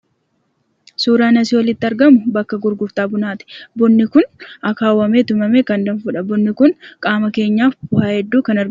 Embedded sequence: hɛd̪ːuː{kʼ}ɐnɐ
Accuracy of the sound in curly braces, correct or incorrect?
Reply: incorrect